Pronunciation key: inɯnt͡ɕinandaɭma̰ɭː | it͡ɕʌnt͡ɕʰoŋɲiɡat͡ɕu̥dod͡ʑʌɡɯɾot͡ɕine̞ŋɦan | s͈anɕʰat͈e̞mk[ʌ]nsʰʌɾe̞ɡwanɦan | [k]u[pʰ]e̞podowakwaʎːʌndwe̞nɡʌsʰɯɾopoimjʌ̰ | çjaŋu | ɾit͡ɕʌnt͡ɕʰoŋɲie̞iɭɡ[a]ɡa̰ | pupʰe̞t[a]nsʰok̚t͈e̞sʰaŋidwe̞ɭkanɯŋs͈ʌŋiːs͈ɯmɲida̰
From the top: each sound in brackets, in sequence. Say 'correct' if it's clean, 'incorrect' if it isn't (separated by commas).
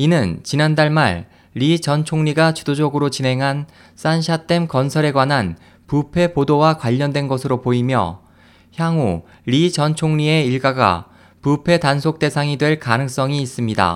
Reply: correct, incorrect, correct, correct, correct